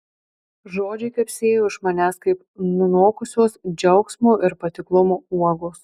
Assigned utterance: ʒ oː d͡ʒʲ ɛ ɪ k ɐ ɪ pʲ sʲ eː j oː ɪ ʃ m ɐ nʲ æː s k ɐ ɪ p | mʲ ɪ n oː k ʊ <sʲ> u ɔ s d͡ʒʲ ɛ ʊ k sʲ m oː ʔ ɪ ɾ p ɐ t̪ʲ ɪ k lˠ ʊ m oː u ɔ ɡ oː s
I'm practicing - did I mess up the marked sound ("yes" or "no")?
no